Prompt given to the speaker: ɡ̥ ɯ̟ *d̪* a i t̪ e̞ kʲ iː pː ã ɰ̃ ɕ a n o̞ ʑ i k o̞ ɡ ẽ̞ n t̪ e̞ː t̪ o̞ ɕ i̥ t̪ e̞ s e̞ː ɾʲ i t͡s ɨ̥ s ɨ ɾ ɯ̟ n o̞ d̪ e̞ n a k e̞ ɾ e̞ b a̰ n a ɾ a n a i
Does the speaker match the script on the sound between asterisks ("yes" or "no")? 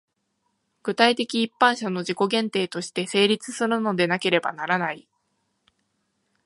no